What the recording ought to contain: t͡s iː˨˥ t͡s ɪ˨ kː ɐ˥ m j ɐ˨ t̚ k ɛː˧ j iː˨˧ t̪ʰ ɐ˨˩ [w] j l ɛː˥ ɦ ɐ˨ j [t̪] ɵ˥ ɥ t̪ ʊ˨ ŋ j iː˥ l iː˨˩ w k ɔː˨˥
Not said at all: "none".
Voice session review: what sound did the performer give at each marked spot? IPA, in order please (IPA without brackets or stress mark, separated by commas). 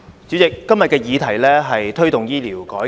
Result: none, t̪ʰ